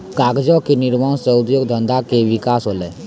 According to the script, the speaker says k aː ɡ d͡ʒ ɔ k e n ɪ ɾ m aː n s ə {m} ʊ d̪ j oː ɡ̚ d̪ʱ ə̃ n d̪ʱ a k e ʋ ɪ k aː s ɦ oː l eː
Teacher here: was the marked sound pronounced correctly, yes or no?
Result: no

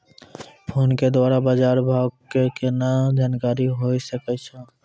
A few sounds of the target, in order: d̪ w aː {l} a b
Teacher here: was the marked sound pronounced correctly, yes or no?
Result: no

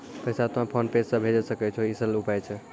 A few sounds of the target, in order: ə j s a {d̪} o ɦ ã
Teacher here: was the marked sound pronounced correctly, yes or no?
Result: no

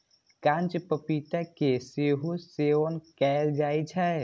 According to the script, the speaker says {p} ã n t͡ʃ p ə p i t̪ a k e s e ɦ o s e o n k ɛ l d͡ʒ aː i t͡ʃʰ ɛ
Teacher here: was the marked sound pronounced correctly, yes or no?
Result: no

